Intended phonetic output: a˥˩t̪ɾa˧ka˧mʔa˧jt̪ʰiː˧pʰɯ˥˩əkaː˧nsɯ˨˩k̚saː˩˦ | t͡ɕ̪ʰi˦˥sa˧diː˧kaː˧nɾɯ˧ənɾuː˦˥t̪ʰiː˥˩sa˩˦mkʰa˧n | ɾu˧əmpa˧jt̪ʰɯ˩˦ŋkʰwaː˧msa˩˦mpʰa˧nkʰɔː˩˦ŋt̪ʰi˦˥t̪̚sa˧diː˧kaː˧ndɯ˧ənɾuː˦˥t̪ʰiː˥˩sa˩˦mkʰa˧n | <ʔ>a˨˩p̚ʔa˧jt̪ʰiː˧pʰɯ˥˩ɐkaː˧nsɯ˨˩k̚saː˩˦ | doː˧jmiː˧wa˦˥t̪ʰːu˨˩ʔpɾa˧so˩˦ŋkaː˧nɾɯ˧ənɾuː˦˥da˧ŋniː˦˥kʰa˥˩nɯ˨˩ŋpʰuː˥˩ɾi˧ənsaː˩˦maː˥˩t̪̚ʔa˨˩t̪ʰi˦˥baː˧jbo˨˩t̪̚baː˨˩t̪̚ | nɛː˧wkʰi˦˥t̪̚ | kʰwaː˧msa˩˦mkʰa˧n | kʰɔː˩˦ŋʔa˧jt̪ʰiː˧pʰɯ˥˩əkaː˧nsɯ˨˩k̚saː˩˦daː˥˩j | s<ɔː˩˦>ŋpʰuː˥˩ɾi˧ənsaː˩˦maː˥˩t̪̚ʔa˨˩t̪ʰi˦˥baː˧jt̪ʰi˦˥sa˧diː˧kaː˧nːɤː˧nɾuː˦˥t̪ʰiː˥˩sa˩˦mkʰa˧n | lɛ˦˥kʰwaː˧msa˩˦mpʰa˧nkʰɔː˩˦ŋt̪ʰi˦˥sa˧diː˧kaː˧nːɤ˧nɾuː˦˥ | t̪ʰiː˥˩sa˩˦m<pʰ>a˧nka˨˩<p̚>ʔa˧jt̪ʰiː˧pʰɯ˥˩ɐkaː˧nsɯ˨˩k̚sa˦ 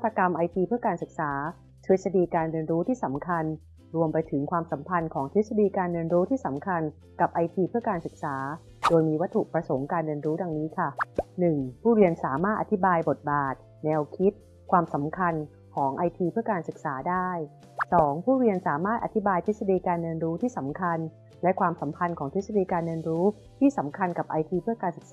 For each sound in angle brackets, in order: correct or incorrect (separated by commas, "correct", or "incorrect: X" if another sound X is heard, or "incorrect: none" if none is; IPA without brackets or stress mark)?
incorrect: k, correct, incorrect: kʰ, correct